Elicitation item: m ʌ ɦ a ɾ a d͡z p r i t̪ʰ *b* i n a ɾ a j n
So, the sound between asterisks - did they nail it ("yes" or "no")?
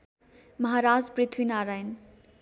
no